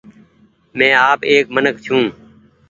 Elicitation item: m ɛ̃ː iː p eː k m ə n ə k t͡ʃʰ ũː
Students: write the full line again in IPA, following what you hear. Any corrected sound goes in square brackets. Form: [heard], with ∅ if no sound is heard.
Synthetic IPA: m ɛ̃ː [aː] p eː k m ə n ə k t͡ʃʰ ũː